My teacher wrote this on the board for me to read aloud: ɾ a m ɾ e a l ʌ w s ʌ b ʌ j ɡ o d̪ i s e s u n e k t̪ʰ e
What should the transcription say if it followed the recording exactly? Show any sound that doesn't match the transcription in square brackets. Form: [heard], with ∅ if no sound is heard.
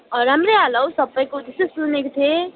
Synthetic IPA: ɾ a m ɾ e a l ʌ w s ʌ b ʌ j [k] o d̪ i s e s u n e k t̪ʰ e